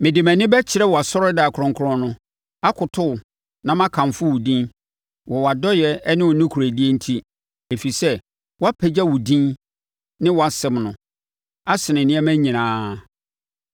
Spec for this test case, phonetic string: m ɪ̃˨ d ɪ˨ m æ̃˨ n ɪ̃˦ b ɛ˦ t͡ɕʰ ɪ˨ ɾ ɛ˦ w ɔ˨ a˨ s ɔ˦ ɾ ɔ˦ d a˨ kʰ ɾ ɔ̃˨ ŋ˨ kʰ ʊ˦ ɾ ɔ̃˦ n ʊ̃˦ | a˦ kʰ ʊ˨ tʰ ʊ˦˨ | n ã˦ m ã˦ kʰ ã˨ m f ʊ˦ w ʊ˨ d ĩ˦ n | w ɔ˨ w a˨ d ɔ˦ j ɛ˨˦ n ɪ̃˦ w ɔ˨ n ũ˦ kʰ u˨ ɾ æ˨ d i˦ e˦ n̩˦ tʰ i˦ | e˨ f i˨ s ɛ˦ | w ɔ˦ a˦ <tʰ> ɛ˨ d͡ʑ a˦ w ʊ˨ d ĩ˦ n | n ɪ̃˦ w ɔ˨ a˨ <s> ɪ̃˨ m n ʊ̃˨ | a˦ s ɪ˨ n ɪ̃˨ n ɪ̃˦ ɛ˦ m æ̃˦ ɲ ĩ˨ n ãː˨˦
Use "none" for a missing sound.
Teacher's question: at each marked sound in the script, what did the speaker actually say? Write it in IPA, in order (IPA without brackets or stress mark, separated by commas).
pʰ, s